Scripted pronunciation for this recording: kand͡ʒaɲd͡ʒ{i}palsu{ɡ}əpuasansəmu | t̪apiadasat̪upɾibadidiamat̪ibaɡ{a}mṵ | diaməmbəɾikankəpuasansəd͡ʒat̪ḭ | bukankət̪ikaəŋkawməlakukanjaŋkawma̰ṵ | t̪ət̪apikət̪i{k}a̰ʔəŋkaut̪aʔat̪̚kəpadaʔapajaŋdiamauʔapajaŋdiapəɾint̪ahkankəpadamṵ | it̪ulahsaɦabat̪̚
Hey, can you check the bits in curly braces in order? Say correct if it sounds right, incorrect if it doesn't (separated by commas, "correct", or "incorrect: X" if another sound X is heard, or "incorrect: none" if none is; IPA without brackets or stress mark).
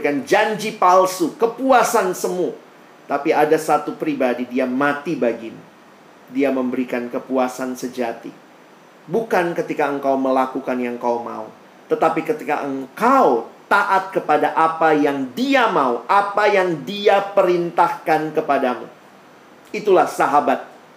correct, incorrect: k, incorrect: i, correct